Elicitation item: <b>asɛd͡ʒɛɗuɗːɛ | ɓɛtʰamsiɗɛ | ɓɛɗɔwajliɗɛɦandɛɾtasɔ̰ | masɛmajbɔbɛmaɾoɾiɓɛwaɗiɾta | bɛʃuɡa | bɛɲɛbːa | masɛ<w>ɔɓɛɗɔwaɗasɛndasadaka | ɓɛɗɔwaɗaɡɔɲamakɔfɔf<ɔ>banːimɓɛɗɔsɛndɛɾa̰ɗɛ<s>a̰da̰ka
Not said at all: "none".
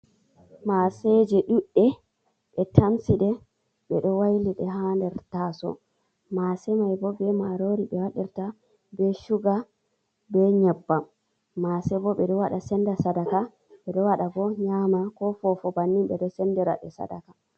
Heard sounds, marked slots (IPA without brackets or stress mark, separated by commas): m, b, ɔ, s